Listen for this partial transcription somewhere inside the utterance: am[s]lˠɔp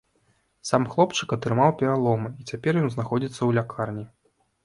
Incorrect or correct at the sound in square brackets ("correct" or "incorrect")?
incorrect